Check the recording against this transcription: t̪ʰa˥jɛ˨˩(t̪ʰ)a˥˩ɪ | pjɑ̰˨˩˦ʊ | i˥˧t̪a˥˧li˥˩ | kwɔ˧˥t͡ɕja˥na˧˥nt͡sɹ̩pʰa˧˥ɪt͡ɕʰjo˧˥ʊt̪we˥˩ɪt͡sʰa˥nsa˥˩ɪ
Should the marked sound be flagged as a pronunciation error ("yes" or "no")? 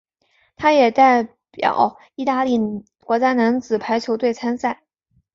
yes